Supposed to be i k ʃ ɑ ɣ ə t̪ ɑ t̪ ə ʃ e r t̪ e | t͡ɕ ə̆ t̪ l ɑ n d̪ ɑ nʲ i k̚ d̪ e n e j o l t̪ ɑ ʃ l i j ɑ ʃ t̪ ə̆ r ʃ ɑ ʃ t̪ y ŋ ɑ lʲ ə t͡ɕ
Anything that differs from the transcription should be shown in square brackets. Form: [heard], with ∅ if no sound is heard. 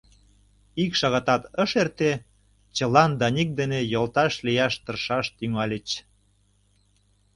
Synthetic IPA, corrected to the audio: i k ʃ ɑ ɣ [ɑ] t̪ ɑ t̪ ə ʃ e r t̪ e | t͡ɕ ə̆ [∅] l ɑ n d̪ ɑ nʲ i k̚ d̪ e n e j o l t̪ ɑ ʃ l i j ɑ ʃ t̪ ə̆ r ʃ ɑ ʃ t̪ y ŋ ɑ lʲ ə t͡ɕ

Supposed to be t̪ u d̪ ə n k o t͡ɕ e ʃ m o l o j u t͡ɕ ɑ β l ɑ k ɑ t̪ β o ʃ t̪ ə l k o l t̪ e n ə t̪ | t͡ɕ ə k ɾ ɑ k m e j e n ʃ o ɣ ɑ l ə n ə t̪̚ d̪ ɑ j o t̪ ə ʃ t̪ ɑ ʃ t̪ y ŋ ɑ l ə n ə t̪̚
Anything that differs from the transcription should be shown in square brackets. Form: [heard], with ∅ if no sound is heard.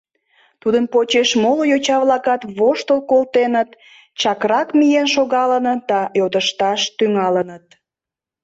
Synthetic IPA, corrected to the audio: t̪ u d̪ ə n [p] o t͡ɕ e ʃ m o l o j [o] t͡ɕ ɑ β l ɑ k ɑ t̪ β o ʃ t̪ ə l k o l t̪ e n ə t̪ | t͡ɕ [ɑ] k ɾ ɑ k m [i] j e n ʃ o ɣ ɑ l ə n ə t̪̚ d̪ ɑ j o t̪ ə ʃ t̪ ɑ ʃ t̪ y ŋ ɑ l ə n ə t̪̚

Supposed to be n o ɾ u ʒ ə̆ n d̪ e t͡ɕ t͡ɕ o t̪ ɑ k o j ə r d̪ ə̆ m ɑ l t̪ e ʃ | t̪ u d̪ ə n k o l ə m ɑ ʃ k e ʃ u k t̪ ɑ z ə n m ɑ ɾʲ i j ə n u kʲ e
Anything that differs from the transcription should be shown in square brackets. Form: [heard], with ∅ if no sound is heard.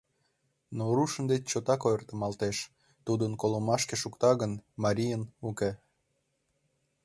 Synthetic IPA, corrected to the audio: n o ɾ u [ʃ] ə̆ n d̪ e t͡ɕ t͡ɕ o t̪ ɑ k o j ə r [t̪] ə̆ m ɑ l t̪ e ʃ | t̪ u d̪ ə n k o l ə m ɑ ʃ k e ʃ u k t̪ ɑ [ɣ] ə n m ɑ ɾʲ i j ə n u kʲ e

